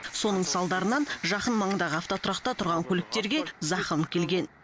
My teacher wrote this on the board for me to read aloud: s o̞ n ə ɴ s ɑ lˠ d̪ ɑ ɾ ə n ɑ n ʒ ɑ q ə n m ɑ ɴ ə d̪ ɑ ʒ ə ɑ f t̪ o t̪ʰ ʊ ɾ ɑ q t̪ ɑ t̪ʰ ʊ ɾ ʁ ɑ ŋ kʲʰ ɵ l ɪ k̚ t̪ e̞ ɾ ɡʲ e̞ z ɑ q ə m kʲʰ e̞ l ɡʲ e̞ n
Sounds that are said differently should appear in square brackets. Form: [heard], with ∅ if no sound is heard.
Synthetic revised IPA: s o̞ n ə ɴ s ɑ lˠ d̪ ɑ ɾ ə n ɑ n ʒ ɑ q ə n m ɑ ɴ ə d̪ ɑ [ʁ] ə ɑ f t̪ o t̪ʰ ʊ ɾ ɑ q t̪ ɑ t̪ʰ ʊ ɾ ʁ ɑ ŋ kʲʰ ɵ l ɪ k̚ t̪ e̞ ɾ ɡʲ e̞ z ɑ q ə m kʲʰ e̞ l ɡʲ e̞ n